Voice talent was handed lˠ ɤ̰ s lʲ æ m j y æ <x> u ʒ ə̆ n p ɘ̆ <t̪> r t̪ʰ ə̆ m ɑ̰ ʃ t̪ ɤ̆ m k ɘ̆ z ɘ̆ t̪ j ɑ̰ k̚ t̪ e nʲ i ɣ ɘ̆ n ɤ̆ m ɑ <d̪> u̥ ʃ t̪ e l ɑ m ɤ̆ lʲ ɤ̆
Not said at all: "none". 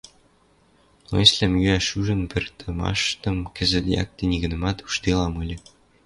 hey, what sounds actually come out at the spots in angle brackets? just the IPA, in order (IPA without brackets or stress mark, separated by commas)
ʃ, none, t̪